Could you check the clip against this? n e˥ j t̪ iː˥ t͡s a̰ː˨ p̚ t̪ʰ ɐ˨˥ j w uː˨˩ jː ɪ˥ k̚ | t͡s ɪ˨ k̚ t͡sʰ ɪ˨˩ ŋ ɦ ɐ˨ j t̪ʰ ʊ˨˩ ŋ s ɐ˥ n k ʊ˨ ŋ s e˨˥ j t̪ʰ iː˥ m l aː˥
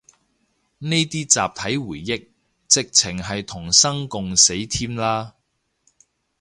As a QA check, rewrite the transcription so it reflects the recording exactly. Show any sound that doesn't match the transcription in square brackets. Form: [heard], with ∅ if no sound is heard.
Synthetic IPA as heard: n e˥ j t̪ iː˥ t͡s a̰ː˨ p̚ t̪ʰ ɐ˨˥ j w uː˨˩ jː ɪ˥ k̚ | t͡s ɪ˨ k̚ t͡sʰ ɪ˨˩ ŋ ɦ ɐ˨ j t̪ʰ ʊ˨˩ ŋ s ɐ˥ [ŋ] k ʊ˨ ŋ s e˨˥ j t̪ʰ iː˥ m l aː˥